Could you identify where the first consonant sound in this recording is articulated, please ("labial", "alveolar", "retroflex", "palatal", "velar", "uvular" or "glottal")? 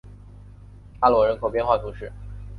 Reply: alveolar